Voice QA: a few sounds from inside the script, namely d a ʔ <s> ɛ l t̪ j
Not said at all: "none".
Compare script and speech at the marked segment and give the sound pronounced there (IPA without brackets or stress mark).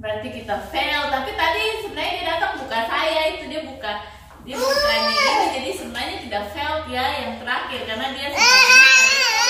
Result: f